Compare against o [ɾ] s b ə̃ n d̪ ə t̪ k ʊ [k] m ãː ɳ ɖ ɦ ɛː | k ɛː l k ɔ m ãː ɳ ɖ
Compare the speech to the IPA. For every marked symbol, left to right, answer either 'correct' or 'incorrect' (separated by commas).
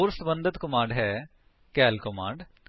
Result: correct, incorrect